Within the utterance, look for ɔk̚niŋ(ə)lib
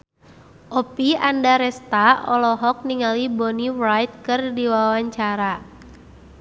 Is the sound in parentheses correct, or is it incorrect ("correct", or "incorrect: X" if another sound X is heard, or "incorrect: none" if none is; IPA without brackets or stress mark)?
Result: incorrect: a